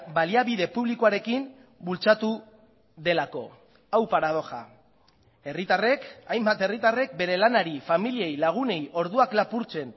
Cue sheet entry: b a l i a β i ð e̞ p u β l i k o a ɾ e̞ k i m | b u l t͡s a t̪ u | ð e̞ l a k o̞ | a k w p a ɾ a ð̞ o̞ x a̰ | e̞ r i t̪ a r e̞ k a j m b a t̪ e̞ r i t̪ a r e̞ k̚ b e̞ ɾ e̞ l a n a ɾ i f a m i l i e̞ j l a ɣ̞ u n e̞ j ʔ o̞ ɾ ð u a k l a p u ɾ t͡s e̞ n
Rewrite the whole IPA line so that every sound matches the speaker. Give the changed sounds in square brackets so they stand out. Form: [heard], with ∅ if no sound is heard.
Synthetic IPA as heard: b a l i a β i ð e̞ p u β l i k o a ɾ e̞ k i m | b u l t͡s a t̪ u | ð e̞ l a k o̞ | a [∅] w p a ɾ a ð̞ o̞ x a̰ | e̞ r i t̪ a r e̞ k a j m b a t̪ e̞ r i t̪ a r e̞ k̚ b e̞ ɾ e̞ l a n a ɾ i f a m i l i e̞ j l a ɣ̞ u n e̞ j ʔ o̞ ɾ ð u a k l a p u ɾ t͡s e̞ n

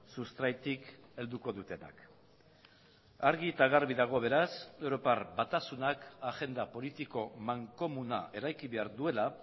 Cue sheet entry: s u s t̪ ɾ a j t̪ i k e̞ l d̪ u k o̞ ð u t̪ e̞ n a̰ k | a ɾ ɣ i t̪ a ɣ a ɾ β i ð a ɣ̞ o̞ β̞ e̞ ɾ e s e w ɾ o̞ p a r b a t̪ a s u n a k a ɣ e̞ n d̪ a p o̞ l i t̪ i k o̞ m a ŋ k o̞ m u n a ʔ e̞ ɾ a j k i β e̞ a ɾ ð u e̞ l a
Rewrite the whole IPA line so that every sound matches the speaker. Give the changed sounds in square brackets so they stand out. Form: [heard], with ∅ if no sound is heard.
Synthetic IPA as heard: s u s t̪ ɾ a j t̪ i k e̞ l d̪ u k o̞ ð u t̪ e̞ n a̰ k | a ɾ ɣ i t̪ a ɣ a ɾ β i ð a ɣ̞ o̞ β̞ e̞ ɾ [a] s e w ɾ o̞ p a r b a t̪ a s u n a k a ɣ e̞ n d̪ a p o̞ l i t̪ i k o̞ m a ŋ k o̞ m u n a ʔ e̞ ɾ a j k i β e̞ a ɾ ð u e̞ l a

